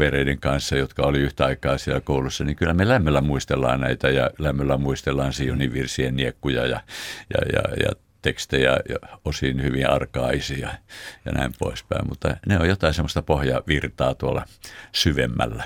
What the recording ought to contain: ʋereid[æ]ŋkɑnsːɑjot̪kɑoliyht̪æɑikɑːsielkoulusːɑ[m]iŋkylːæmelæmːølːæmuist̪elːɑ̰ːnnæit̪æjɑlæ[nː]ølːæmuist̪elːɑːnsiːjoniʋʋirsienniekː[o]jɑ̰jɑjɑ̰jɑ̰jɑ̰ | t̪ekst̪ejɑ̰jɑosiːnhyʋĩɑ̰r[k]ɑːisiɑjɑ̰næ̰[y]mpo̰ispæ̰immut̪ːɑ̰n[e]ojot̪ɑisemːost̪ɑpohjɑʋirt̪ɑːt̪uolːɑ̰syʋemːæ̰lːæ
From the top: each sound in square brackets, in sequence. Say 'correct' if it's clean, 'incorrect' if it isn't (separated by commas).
incorrect, incorrect, incorrect, incorrect, correct, incorrect, correct